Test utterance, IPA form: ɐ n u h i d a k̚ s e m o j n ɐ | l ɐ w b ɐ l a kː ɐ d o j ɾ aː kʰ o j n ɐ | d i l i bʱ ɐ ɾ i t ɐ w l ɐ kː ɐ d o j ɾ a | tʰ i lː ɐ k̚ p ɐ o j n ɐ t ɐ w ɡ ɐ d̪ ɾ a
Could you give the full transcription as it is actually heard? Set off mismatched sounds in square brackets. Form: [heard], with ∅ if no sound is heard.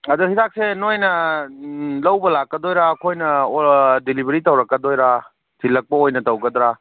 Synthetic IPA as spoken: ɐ [d] u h i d a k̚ s e [n] o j n ɐ | l ɐ w b ɐ l a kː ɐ d o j ɾ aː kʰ o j n ɐ | d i l i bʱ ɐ ɾ i t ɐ w [ɾ] ɐ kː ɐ d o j ɾ a | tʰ i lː ɐ k̚ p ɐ o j n ɐ t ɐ w ɡ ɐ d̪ ɾ a